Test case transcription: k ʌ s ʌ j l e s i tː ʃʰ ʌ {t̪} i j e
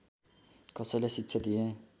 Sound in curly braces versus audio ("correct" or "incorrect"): incorrect